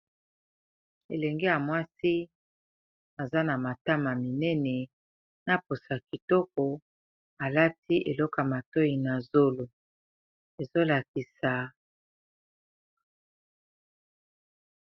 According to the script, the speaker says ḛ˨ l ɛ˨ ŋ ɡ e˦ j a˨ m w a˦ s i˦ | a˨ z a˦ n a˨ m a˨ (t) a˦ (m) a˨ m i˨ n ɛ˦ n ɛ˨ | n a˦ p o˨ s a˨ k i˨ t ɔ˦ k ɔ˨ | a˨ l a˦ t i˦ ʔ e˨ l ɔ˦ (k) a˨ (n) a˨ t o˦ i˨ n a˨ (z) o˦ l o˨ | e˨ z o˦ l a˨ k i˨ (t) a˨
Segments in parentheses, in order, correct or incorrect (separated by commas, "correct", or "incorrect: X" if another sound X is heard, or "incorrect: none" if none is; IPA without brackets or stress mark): correct, correct, correct, incorrect: m, correct, incorrect: s